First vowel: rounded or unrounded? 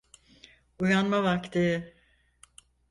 rounded